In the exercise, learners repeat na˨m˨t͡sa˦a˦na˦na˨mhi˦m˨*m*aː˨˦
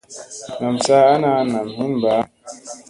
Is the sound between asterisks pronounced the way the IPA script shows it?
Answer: no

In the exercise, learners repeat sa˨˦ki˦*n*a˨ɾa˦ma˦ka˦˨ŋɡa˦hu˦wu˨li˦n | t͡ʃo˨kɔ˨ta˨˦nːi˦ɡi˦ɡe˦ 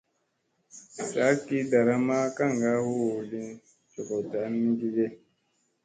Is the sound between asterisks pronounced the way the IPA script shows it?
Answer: no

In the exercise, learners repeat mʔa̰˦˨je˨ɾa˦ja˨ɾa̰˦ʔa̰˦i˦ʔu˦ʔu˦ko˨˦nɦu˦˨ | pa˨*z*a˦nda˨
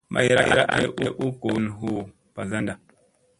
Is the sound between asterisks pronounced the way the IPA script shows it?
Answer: yes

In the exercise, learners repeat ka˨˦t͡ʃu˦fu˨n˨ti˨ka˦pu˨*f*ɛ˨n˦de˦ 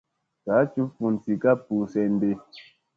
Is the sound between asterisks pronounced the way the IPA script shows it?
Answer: no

